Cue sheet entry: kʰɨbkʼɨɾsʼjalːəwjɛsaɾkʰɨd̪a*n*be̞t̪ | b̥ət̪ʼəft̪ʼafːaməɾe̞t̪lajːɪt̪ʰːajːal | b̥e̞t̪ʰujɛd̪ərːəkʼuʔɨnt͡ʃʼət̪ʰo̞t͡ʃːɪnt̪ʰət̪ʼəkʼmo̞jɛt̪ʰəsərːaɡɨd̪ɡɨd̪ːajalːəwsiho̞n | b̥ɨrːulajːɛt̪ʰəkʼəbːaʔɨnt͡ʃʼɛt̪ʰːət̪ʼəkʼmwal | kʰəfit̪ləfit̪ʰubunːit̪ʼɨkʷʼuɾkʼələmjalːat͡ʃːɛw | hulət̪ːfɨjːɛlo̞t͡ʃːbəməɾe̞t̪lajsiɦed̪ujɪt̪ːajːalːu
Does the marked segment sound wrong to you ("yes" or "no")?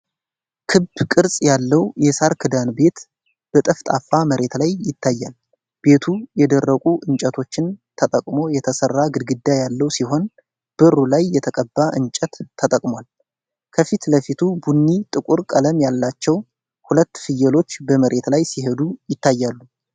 no